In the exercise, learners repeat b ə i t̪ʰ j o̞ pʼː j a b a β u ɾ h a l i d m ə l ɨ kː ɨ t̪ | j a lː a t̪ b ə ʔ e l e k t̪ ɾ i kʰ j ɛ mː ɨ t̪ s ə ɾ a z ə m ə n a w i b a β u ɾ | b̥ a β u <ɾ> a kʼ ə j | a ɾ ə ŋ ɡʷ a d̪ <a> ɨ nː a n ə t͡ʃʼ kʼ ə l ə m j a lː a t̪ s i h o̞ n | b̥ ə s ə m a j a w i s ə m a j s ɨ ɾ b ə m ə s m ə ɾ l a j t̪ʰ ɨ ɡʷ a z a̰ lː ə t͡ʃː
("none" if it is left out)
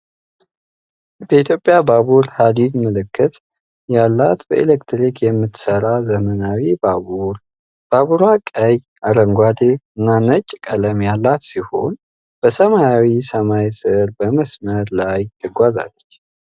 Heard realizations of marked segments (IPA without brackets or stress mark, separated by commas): ɾ, e